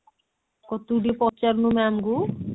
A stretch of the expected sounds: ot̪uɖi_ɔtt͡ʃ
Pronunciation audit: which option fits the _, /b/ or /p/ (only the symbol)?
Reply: p